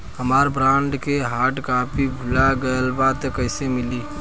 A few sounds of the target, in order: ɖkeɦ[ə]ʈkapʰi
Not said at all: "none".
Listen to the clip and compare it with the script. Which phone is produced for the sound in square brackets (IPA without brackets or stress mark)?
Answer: a